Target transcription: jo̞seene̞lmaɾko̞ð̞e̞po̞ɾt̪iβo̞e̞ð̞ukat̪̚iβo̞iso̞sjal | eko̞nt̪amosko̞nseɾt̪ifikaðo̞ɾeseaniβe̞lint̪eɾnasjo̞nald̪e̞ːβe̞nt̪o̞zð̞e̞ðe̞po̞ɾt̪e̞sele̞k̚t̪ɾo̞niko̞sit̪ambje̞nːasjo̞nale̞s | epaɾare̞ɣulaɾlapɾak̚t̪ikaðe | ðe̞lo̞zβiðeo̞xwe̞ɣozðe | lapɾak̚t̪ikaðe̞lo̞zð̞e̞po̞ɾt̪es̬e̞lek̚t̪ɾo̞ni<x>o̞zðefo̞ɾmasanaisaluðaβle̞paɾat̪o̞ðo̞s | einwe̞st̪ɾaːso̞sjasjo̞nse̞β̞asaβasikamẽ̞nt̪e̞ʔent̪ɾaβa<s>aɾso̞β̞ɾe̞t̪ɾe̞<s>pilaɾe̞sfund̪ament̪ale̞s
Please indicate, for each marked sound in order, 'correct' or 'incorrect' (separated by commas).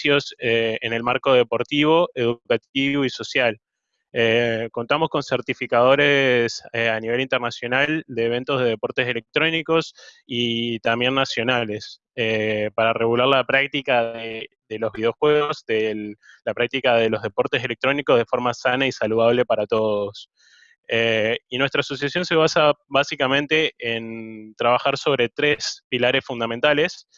incorrect, incorrect, correct